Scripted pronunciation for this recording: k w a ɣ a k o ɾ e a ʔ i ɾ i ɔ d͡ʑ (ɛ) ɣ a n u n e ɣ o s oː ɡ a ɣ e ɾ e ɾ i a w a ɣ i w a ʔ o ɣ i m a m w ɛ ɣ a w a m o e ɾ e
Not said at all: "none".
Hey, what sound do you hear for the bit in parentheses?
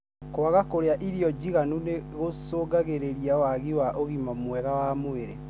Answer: i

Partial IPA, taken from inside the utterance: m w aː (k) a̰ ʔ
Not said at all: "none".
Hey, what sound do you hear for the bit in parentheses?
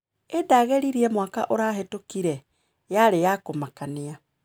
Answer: k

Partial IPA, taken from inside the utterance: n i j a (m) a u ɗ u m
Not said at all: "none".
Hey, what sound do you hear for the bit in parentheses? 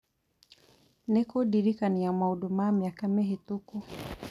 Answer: m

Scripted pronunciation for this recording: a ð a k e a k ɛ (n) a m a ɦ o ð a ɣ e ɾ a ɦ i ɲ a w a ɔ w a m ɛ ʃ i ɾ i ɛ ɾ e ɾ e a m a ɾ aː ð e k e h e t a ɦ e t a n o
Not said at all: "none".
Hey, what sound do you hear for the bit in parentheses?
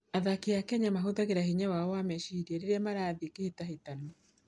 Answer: ɲ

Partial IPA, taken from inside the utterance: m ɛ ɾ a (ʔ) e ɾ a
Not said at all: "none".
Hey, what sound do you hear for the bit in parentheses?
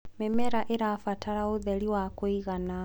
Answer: ʔ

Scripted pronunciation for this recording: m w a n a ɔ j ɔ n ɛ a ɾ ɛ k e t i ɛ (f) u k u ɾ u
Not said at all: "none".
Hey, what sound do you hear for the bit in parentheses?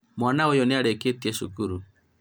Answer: ʃ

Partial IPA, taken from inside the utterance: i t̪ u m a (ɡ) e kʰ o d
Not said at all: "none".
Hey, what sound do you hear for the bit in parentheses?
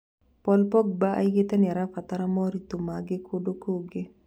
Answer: ɡ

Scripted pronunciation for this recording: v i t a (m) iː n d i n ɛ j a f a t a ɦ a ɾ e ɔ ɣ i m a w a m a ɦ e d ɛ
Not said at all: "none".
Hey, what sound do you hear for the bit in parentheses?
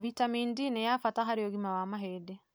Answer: m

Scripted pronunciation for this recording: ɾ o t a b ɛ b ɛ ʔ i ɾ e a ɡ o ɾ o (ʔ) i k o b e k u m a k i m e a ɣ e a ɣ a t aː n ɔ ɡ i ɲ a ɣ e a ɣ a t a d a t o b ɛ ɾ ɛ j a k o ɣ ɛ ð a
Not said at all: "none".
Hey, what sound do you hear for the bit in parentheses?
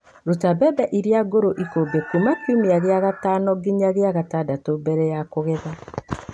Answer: ʔ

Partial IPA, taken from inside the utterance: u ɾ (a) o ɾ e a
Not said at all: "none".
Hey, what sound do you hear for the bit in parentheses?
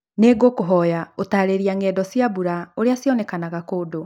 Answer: a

